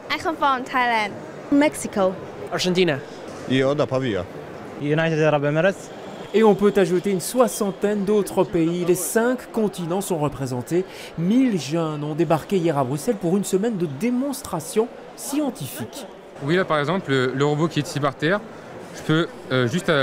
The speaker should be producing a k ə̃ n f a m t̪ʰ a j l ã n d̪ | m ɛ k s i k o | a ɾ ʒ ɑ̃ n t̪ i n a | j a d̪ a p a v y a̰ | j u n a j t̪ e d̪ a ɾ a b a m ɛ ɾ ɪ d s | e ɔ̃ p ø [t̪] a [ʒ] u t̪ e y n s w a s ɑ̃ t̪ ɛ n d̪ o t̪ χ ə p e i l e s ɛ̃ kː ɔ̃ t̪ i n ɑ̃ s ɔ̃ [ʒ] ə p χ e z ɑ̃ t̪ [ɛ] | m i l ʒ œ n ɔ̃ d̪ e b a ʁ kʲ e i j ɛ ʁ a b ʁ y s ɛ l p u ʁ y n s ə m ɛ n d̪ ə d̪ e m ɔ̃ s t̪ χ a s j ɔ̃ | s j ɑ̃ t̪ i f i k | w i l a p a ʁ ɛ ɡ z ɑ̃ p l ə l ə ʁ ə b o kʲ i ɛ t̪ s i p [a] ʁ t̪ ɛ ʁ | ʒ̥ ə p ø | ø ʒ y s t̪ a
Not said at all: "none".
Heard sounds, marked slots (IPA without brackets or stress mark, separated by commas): t̪, ʒ, ʁ, e, a